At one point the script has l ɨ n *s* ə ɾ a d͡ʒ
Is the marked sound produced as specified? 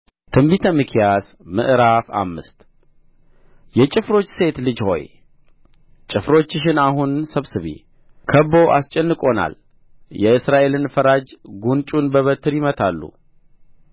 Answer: no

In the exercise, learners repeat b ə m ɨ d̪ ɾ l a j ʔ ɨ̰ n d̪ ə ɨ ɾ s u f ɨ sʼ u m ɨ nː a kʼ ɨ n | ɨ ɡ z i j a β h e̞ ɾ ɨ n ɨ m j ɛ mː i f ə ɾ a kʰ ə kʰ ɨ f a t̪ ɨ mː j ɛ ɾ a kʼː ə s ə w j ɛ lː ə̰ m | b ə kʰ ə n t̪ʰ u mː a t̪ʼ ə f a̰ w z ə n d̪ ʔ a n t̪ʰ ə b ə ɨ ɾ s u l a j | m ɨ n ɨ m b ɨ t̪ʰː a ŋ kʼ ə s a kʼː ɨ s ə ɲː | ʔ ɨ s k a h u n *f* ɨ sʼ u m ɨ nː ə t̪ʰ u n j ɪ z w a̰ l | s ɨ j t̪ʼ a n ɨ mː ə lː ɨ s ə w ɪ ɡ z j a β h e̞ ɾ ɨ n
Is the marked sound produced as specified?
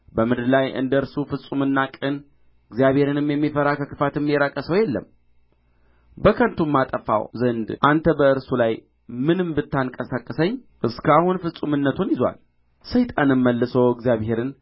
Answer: yes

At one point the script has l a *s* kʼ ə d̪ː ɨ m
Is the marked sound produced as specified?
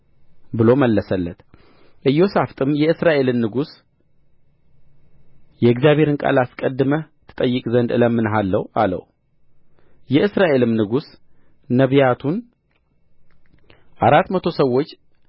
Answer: yes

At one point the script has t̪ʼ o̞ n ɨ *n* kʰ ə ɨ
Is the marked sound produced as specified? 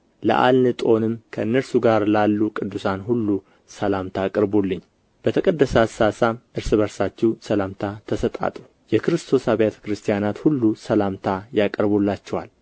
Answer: no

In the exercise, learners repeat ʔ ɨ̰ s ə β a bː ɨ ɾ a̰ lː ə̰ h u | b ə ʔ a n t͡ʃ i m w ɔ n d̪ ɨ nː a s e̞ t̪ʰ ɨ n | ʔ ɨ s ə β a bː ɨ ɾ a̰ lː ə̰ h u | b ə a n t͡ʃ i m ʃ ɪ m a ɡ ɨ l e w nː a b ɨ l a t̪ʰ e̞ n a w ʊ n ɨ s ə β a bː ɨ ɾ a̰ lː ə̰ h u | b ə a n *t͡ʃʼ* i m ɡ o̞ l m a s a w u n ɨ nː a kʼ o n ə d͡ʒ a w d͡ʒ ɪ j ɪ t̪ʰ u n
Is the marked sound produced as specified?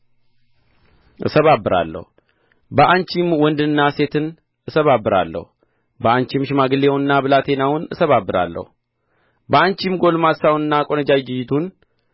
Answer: no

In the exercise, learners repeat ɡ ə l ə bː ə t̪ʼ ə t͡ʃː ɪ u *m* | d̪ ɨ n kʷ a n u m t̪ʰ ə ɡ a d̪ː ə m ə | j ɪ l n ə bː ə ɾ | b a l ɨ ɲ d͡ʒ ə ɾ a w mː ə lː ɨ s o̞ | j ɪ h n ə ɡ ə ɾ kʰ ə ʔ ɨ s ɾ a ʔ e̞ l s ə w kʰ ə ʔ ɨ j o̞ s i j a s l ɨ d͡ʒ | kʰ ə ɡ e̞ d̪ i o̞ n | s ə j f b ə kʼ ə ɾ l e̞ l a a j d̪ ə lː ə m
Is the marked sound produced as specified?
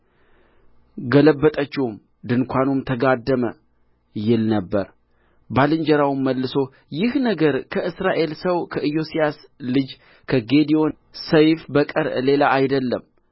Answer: yes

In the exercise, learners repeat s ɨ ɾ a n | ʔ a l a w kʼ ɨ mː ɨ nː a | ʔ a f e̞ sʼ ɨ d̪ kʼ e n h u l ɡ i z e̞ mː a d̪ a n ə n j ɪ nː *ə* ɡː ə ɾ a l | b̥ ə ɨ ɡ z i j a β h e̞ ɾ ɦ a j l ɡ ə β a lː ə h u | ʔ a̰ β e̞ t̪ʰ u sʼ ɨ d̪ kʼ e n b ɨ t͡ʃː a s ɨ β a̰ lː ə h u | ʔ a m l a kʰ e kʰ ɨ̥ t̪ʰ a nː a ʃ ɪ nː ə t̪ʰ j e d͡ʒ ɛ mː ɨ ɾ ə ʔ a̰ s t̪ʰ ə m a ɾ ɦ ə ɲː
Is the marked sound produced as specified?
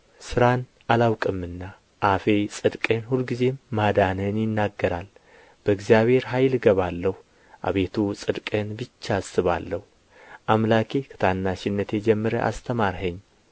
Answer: no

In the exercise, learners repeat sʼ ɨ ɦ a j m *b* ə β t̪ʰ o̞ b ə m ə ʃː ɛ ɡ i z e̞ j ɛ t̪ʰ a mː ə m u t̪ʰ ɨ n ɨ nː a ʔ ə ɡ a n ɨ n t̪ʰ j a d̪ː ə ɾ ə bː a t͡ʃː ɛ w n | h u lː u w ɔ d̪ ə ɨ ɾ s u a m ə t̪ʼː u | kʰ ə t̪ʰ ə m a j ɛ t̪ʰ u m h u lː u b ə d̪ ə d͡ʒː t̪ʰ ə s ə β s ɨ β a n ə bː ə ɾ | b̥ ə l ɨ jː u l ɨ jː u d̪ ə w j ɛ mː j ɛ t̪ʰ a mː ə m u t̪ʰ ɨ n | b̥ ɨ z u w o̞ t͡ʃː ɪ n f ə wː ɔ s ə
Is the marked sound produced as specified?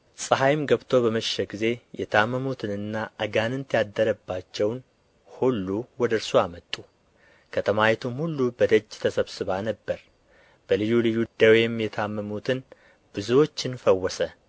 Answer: no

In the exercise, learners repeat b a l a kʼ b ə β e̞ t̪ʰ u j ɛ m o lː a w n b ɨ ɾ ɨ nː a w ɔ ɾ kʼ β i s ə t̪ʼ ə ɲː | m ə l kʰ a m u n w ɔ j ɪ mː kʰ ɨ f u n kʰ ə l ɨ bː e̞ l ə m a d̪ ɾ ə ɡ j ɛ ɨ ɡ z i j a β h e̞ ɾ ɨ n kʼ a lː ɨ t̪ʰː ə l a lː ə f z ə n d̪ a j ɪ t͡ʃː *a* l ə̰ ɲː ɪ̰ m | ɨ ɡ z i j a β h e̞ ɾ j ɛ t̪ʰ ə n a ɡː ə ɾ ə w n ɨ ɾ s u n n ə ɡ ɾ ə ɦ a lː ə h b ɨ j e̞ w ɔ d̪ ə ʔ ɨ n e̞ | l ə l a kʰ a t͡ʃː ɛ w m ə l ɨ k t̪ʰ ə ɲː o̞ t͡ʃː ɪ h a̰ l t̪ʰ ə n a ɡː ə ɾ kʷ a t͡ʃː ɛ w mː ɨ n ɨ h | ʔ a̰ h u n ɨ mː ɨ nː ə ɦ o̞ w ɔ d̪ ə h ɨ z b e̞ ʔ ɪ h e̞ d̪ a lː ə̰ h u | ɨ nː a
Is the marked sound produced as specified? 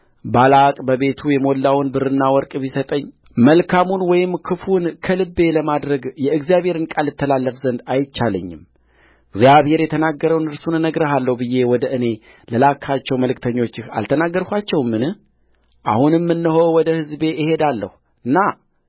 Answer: yes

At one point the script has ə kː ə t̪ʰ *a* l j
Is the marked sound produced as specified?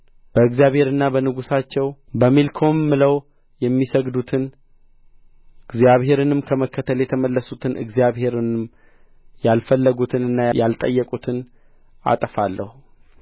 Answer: no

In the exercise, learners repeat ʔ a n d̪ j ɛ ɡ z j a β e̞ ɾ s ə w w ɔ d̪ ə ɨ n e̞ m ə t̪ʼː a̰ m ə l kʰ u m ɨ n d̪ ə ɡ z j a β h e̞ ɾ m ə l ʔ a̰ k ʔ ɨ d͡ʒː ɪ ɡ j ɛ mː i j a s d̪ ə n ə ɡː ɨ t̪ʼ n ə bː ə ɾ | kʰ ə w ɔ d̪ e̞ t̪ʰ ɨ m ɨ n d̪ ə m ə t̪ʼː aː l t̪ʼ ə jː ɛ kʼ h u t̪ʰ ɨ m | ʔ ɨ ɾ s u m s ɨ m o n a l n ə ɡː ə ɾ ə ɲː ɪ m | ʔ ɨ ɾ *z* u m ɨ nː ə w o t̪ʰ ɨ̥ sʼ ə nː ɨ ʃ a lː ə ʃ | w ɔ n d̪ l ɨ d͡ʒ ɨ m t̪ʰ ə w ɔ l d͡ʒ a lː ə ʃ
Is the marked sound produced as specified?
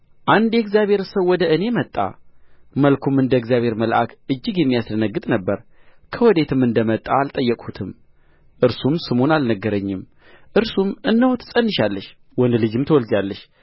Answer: no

